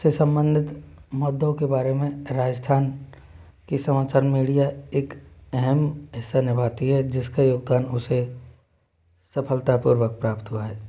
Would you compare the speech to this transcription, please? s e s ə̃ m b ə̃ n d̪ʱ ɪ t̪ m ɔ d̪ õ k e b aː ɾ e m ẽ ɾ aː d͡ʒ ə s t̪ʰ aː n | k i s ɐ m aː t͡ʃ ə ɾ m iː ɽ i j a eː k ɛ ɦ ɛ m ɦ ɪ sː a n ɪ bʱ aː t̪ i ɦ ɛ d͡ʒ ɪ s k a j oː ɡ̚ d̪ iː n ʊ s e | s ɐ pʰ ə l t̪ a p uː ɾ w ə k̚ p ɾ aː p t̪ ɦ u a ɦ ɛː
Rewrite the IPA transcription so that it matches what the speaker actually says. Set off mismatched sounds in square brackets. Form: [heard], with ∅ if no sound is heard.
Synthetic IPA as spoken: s e s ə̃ m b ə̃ n d̪ʱ ɪ t̪ m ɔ d̪ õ k e b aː ɾ e m ẽ ɾ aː d͡ʒ ə s t̪ʰ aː n | k i s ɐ m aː t͡ʃ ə ɾ m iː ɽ i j a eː k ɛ ɦ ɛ m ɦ ɪ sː a n ɪ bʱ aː t̪ i ɦ ɛ d͡ʒ ɪ s k a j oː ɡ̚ d̪ [aː] n ʊ s e | s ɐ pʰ ə l t̪ a p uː ɾ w ə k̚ p ɾ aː p t̪ ɦ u a ɦ ɛː